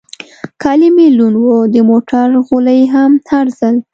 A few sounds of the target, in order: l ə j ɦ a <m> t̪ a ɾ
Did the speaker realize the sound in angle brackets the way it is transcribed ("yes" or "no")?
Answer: yes